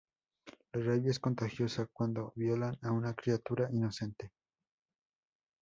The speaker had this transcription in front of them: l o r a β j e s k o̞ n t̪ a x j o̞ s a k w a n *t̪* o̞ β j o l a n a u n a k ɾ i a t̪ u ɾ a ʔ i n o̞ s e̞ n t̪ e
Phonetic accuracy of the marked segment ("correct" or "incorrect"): incorrect